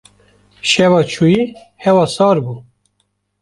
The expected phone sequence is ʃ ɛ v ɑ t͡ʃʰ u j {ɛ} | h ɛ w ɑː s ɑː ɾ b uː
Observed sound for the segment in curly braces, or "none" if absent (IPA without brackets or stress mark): i